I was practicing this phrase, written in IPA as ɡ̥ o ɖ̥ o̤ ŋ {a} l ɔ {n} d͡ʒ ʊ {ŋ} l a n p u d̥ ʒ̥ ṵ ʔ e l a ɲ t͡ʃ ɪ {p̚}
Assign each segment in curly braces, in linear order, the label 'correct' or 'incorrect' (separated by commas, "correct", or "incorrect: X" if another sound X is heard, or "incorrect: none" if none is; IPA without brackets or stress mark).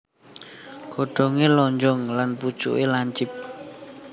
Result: incorrect: e, incorrect: ɲ, correct, correct